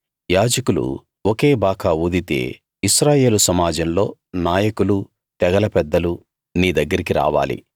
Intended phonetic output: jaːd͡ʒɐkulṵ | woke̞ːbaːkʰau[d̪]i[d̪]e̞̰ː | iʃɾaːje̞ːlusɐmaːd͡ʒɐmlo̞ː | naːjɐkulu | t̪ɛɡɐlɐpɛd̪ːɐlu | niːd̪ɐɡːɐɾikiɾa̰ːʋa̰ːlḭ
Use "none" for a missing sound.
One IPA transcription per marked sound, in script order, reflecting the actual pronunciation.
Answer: d̪, t̪

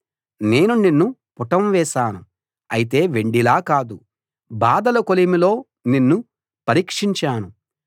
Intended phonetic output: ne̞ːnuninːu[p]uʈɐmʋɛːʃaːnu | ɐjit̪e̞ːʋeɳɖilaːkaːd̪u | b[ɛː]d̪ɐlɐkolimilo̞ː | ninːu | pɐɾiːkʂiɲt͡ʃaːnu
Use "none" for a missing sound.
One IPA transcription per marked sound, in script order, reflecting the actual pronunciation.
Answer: p, aː

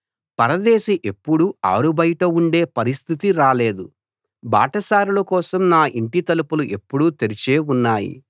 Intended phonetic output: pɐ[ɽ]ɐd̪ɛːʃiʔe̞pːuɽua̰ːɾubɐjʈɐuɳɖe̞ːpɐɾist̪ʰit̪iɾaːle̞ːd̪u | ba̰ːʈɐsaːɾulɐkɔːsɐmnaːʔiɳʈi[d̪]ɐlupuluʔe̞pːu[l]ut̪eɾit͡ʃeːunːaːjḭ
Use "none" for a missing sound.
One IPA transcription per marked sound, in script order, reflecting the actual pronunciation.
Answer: ɾ, t̪, ɽ

